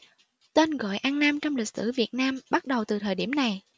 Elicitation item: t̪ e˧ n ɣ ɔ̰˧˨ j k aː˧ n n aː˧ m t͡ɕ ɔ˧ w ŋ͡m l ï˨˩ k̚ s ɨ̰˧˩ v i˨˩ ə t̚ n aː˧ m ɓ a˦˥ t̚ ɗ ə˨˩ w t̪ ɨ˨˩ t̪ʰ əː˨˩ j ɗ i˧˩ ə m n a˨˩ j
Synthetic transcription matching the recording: t̪ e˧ n ɣ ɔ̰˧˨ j ʔ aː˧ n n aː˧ m t͡ɕ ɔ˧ w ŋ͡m l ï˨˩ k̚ s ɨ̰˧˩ v i˨˩ ə t̚ n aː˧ m ɓ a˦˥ t̚ ɗ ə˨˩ w t̪ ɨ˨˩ t̪ʰ əː˨˩ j ɗ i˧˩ ə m n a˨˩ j